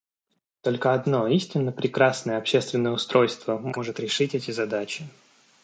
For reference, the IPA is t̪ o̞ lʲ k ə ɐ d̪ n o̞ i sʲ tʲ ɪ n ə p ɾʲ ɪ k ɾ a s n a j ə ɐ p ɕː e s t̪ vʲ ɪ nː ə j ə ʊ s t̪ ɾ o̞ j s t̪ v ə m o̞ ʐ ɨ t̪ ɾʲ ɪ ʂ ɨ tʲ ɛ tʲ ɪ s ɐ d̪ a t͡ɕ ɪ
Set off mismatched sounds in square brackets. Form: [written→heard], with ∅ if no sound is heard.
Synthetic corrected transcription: t̪ o̞ lʲ k ə ɐ d̪ n o̞ i sʲ tʲ ɪ [n→nː] ə p ɾʲ ɪ k ɾ a s n [a→ə] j ə ɐ p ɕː e s t̪ vʲ ɪ nː ə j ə ʊ s t̪ ɾ o̞ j s t̪ v ə m o̞ ʐ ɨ t̪ ɾʲ ɪ ʂ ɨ tʲ ɛ tʲ ɪ [s→z] ɐ d̪ a t͡ɕ ɪ